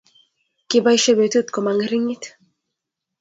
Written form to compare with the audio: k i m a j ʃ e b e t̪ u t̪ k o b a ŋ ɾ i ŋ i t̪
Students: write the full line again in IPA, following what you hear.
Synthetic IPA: k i b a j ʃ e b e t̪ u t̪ k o m a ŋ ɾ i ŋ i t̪

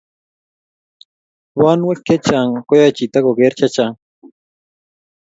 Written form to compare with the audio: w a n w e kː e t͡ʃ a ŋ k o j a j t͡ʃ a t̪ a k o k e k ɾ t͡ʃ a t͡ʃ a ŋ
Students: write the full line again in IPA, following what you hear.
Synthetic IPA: w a n w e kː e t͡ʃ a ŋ k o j a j t͡ʃ i t̪ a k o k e ɾ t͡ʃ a t͡ʃ a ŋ

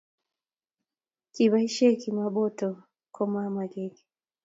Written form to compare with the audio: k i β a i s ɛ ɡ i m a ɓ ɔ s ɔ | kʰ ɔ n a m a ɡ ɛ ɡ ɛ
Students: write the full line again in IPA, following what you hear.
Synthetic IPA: k i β a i ʃ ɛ k i m a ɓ ɔ t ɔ | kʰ ɔ m a m a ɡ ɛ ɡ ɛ

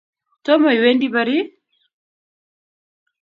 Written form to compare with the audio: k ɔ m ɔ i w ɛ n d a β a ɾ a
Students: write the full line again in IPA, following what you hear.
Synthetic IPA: t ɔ m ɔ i w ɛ n d i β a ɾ i

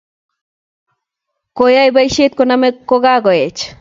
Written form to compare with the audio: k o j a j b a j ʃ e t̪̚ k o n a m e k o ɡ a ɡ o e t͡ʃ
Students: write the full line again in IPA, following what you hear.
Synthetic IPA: k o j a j b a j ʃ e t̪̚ k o n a m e k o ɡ a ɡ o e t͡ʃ

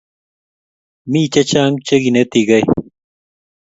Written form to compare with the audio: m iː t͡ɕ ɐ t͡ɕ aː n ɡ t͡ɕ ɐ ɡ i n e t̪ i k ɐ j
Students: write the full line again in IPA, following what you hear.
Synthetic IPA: m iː t͡ɕ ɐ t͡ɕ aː ŋ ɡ t͡ɕ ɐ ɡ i n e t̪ i ɡ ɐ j

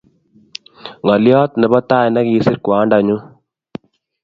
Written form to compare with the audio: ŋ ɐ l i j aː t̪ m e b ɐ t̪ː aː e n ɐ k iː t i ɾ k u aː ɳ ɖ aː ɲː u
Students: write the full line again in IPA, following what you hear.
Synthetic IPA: ŋ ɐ l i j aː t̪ n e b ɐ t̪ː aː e n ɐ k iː s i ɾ k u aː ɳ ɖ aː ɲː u

